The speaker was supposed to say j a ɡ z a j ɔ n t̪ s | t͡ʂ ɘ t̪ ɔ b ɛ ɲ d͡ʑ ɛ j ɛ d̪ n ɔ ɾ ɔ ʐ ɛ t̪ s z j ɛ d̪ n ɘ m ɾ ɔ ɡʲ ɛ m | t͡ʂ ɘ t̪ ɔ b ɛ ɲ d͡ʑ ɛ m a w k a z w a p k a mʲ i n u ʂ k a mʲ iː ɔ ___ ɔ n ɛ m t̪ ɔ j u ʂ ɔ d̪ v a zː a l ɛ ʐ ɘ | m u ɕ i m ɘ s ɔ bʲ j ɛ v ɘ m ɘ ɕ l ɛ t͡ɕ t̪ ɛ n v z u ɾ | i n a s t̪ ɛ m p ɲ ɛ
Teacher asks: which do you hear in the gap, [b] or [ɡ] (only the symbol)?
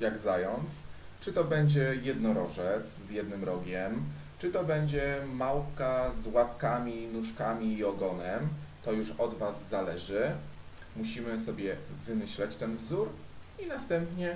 ɡ